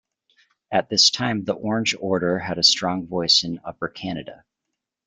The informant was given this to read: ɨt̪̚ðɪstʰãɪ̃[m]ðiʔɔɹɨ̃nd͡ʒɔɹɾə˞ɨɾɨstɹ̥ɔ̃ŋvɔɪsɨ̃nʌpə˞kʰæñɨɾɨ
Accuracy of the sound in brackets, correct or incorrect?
correct